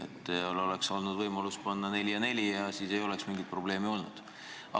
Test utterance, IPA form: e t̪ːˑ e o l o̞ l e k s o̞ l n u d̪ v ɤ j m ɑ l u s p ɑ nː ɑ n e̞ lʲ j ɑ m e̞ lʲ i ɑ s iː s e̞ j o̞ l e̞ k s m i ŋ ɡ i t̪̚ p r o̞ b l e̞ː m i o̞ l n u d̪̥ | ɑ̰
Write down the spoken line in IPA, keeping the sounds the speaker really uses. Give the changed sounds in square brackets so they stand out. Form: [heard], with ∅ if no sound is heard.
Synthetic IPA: e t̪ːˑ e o l o̞ l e k s o̞ l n u d̪ v ɤ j m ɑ l u s p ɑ nː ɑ n e̞ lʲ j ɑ [n] e̞ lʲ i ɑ s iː s e̞ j o̞ l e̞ k s m i ŋ ɡ i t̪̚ p r o̞ b l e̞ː m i o̞ l n u d̪̥ | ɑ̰